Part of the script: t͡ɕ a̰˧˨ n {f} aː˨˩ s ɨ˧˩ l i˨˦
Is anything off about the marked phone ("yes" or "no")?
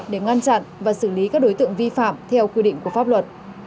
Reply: yes